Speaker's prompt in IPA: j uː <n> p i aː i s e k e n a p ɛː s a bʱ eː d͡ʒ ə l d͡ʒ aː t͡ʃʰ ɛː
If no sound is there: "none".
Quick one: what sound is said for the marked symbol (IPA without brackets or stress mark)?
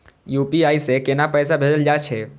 none